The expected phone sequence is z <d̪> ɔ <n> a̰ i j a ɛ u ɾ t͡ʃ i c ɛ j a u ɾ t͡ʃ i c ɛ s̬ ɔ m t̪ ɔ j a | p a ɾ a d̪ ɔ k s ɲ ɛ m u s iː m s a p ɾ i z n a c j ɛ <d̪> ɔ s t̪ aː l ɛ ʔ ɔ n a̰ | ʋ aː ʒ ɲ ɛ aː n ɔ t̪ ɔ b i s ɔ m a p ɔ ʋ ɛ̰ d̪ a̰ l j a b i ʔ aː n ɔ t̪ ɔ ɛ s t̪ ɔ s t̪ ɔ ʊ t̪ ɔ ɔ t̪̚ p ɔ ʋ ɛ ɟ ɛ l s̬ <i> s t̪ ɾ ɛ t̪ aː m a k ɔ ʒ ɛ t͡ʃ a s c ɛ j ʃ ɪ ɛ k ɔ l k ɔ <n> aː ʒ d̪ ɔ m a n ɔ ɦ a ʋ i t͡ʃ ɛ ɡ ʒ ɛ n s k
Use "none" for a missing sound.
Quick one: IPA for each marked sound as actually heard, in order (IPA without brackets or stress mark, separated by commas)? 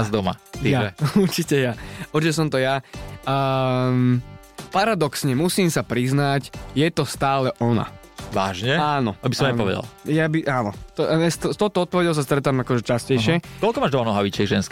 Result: d̪, m, t̪, a, m